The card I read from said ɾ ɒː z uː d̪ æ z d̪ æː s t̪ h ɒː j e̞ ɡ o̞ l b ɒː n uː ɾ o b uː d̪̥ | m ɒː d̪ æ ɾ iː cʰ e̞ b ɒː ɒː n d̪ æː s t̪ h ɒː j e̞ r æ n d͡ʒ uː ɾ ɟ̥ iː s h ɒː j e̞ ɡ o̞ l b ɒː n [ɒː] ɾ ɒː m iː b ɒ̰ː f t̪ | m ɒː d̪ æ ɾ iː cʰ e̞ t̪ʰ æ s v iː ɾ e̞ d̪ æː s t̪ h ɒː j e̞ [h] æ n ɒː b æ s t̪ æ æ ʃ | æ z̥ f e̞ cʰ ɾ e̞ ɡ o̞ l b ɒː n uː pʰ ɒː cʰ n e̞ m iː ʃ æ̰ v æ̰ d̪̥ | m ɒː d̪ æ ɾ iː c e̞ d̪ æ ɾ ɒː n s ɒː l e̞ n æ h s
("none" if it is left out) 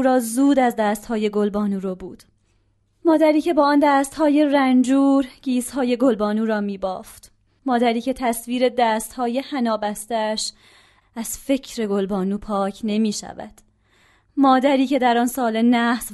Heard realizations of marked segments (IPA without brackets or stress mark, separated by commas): uː, h